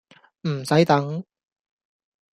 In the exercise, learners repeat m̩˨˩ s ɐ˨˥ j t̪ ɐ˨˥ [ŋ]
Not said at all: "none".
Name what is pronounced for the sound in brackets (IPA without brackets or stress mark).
ŋ